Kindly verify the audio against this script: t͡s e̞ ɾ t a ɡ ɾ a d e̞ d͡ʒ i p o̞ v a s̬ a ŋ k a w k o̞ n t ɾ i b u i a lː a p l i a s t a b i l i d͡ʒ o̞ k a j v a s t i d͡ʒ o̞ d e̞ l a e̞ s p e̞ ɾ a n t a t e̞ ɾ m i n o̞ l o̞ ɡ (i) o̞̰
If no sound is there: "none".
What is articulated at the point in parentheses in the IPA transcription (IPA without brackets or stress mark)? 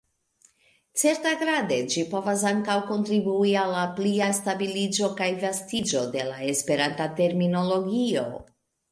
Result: i